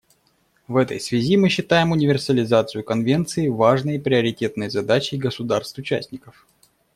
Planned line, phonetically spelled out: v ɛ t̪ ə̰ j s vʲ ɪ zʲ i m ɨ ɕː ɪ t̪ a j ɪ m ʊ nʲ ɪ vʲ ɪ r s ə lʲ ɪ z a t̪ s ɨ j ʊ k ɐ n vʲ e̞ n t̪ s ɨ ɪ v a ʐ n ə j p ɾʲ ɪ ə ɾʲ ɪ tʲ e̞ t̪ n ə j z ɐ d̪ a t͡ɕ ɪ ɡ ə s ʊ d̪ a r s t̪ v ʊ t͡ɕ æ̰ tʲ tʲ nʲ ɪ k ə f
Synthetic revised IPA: v ɛ t̪ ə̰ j s vʲ ɪ zʲ i m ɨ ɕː ɪ t̪ a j ɪ m ʊ nʲ ɪ vʲ ɪ r s ə lʲ ɪ z a t̪ s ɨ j ʊ k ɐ n vʲ e̞ n t̪ s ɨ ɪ v a ʐ n ə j p ɾʲ ɪ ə ɾʲ ɪ tʲ e̞ t̪ n ə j z ɐ d̪ a t͡ɕ ɪ ɡ ə s ʊ d̪ a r s t̪ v ʊ t͡ɕ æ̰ sʲ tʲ nʲ ɪ k ə f